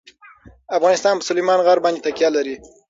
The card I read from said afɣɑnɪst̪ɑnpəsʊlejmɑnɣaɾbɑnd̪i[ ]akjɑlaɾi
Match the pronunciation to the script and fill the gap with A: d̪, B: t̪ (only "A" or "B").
B